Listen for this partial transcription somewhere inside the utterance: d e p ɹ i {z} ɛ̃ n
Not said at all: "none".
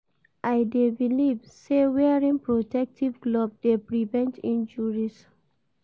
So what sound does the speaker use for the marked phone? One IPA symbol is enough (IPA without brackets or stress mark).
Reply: v